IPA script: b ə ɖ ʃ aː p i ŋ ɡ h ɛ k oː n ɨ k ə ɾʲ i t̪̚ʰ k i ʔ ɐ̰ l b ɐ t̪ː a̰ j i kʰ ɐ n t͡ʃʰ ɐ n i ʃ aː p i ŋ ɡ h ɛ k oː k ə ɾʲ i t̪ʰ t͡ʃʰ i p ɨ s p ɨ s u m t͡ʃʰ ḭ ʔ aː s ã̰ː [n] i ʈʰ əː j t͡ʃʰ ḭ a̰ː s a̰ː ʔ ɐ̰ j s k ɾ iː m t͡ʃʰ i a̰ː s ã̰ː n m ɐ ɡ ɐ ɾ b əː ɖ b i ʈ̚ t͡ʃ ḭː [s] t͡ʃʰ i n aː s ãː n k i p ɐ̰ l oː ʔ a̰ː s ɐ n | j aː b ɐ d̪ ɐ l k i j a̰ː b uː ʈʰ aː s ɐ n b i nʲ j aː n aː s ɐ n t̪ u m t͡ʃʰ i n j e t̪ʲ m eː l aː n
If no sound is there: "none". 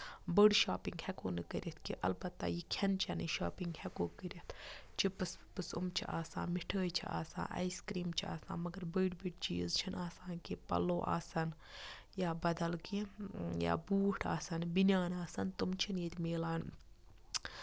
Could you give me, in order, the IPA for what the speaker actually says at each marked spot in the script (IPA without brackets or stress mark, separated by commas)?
m, z